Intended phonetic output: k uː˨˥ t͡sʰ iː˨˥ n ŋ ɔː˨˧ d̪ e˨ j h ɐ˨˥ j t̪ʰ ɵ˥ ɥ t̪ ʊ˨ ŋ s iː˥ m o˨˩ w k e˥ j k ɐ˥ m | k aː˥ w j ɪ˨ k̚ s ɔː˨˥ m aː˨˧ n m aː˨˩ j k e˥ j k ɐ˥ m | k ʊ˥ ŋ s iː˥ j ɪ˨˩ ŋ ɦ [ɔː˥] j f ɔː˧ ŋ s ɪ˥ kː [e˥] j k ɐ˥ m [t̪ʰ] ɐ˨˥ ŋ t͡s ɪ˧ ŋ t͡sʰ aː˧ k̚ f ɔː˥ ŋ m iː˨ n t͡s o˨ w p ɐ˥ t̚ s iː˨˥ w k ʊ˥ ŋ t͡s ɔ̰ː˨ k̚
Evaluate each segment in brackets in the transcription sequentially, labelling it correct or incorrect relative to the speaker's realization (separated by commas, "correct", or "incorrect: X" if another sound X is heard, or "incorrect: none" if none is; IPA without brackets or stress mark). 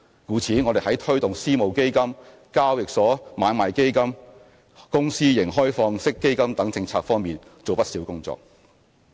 correct, correct, incorrect: t̪